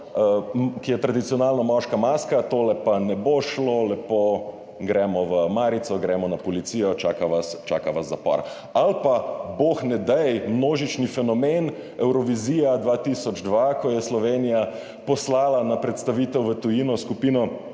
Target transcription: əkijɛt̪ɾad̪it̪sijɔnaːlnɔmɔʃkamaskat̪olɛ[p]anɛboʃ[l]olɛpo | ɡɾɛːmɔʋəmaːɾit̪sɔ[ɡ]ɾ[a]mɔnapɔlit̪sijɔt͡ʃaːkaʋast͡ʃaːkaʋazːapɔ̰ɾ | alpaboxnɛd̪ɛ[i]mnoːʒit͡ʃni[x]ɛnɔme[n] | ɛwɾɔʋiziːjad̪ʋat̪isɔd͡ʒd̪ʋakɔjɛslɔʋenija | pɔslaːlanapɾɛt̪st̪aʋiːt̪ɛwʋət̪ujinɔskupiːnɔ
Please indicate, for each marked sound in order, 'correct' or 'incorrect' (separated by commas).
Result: correct, correct, correct, incorrect, incorrect, incorrect, correct